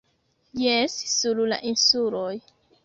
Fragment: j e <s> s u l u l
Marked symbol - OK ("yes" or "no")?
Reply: yes